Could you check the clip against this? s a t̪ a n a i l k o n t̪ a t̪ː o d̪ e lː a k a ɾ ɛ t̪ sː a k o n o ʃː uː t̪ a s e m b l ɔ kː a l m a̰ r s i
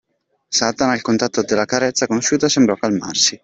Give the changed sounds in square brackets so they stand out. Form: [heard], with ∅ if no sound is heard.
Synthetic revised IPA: s a t̪ a n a i l k o n t̪ a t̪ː o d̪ e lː a k a ɾ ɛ t̪ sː a k o n o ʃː uː t̪ a s e m b [ɾ] ɔ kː a l m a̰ r s i